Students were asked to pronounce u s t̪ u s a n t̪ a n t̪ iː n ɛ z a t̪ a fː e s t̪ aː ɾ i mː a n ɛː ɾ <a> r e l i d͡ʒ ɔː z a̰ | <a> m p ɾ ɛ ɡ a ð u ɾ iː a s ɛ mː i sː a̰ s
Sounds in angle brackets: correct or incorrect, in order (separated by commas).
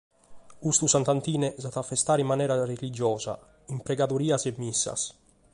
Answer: correct, incorrect